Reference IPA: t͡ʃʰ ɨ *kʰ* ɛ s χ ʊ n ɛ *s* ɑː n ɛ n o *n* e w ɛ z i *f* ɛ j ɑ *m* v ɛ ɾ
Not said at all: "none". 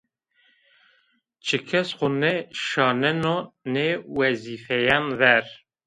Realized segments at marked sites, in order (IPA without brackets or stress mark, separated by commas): kʰ, ʃ, n, f, n